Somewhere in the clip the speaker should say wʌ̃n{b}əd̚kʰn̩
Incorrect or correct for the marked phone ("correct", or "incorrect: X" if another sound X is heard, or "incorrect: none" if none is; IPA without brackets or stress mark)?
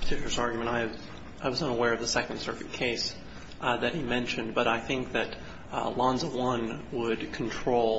incorrect: w